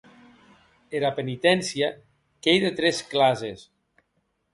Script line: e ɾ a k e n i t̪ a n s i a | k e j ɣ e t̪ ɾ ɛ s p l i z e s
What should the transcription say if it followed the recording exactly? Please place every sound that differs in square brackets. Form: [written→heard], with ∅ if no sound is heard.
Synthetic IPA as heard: e ɾ a [k→p] e n i t̪ [a→ɛ] n s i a | k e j [ɣ→ð] e t̪ ɾ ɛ s [p→k] l [i→a] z e s